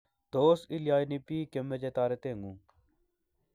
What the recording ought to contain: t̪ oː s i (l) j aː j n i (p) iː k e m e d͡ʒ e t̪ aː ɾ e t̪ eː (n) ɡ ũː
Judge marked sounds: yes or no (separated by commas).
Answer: yes, yes, no